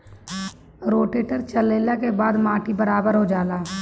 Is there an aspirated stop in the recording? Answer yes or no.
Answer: no